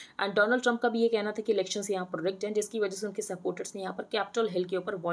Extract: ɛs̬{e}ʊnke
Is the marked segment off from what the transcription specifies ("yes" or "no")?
no